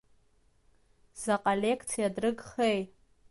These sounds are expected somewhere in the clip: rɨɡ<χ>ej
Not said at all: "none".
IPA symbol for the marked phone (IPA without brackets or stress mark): χ